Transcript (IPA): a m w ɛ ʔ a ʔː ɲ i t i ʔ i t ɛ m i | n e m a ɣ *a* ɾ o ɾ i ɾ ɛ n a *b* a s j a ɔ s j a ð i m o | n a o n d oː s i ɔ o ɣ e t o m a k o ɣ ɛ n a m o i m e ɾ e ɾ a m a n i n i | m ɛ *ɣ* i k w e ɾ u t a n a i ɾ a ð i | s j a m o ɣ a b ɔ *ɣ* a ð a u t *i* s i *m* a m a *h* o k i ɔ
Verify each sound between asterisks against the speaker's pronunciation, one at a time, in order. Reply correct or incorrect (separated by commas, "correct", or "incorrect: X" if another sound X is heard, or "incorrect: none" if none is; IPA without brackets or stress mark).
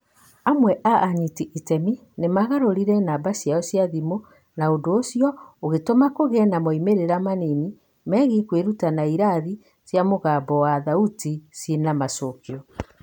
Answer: correct, correct, correct, incorrect: w, correct, incorrect: n, incorrect: s